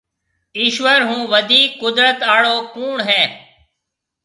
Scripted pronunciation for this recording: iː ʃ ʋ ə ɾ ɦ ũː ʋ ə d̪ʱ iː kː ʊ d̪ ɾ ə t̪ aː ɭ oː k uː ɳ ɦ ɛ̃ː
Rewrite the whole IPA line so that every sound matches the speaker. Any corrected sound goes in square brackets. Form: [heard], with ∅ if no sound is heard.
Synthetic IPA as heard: iː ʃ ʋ ə ɾ ɦ ũː ʋ ə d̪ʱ iː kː ʊ d̪ ɾ ə t̪ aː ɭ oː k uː ɳ ɦ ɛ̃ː